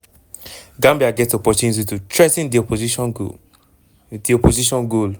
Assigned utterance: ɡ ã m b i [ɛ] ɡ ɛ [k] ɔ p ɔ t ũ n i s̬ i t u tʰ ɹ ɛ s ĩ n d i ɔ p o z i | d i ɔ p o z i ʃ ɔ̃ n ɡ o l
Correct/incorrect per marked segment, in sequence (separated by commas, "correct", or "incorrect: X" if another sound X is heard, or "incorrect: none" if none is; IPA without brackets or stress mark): incorrect: a, incorrect: t